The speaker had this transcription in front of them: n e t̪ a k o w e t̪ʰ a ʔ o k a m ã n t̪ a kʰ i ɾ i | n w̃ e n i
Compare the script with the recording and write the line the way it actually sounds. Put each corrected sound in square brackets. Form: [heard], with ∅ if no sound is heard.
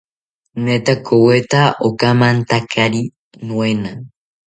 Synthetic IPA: n e t̪ a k o w e [t̪] a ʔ o k a m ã n t̪ a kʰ [a] ɾ i | n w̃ e n [a]